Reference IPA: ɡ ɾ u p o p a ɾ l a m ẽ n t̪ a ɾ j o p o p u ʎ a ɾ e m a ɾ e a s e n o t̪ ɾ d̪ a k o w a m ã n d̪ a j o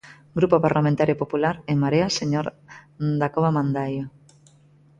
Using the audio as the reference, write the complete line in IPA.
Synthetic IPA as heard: ɡ ɾ u p o p a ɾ l a m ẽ n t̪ a ɾ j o p o p u l a ɾ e m a ɾ e a s e ɲ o ɾ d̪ a k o β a m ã n d̪ a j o